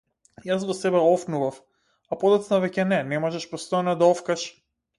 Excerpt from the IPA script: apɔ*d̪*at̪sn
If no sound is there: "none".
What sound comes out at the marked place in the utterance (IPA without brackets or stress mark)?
d̪